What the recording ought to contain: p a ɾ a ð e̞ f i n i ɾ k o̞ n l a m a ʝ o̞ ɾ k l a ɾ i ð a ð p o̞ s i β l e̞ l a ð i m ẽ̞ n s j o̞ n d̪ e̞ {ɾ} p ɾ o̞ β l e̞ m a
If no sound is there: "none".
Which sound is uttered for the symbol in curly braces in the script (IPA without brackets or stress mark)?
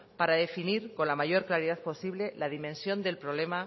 l